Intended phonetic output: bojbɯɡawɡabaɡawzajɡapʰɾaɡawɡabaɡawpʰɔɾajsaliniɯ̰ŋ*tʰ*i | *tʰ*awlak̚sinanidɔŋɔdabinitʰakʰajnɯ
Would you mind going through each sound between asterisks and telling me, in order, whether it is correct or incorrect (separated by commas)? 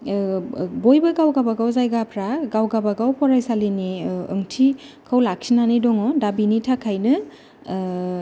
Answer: correct, incorrect